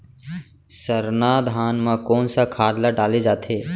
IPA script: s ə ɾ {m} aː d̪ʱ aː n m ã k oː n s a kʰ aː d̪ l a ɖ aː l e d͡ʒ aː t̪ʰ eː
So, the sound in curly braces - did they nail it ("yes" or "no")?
no